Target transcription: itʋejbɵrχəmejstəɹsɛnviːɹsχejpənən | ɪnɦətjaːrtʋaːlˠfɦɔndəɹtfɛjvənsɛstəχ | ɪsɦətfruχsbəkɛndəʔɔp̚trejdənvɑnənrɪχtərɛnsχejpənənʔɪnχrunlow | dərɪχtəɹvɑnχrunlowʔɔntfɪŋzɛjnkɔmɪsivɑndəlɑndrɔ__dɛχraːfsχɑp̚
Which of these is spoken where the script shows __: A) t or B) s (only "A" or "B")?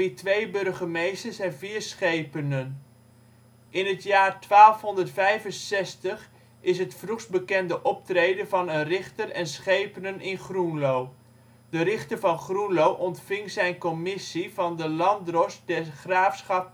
B